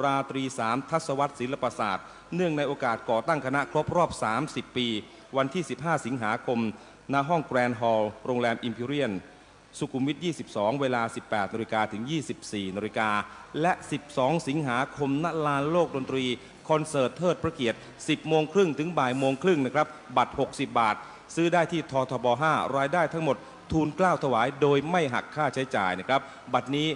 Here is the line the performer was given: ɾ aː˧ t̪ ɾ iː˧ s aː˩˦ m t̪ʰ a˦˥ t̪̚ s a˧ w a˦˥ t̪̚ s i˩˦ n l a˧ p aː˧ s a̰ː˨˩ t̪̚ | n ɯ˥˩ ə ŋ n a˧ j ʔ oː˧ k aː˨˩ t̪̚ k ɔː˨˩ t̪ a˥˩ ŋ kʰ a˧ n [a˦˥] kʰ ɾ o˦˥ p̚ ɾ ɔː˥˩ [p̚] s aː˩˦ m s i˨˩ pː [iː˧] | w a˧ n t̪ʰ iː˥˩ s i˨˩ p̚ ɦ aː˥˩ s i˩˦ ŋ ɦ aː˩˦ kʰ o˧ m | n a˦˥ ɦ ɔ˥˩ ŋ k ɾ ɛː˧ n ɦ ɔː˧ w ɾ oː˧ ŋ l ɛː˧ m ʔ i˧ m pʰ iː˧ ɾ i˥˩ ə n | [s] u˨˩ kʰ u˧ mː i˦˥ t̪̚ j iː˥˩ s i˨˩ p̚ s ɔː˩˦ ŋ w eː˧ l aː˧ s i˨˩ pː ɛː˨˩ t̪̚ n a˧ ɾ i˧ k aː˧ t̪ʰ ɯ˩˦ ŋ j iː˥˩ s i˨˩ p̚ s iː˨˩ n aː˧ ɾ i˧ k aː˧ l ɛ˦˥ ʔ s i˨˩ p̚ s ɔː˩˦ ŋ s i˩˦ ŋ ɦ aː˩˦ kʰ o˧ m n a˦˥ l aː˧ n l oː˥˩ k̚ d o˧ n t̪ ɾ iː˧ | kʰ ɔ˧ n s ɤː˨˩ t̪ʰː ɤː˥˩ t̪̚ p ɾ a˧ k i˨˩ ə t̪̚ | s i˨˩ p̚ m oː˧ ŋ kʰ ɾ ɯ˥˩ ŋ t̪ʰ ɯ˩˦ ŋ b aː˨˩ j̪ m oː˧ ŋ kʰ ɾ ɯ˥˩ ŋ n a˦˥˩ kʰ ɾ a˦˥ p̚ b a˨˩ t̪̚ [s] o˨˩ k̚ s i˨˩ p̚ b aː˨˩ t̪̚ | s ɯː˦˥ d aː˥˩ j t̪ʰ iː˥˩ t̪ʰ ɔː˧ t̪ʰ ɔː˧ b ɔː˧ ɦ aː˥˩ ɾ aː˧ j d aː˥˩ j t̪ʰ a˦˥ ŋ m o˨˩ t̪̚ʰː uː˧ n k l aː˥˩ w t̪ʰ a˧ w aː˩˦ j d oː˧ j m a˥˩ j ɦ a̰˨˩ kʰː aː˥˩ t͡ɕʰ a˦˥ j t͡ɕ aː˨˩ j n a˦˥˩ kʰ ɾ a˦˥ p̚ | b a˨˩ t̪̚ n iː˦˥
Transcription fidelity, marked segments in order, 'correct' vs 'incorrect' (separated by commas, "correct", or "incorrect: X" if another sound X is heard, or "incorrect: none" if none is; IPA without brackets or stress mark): correct, correct, correct, correct, incorrect: h